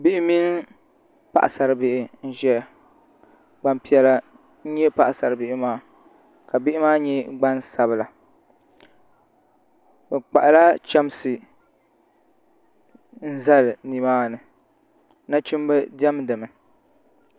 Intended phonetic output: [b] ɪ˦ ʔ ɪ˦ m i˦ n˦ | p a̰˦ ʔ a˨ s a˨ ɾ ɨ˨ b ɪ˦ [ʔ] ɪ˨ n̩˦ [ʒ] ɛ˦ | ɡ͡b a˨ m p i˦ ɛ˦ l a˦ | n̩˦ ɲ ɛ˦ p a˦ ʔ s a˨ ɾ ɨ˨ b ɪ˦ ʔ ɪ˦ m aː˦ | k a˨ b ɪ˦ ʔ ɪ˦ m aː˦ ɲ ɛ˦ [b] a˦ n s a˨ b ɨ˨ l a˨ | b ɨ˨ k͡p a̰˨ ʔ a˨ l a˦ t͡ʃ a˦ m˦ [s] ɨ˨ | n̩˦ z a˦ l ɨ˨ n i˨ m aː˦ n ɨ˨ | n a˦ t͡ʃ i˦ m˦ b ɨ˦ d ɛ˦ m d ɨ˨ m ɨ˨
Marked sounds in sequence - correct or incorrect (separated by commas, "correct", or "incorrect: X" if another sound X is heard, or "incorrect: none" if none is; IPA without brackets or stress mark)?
correct, correct, correct, incorrect: ɡ͡b, correct